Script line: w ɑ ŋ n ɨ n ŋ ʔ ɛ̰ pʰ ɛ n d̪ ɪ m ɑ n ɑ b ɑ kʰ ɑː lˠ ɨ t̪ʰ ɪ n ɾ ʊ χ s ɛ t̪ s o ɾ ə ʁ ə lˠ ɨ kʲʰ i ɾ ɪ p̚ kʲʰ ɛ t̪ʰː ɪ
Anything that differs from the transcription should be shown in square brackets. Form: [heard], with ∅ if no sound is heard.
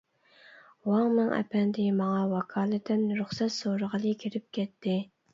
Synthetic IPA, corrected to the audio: w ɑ ŋ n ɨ [∅] ŋ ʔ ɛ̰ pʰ ɛ n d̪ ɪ m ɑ [ŋ] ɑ [w] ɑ kʰ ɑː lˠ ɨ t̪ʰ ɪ n ɾ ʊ χ s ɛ t̪ s o ɾ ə ʁ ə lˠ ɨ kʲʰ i ɾ ɪ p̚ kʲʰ ɛ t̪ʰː ɪ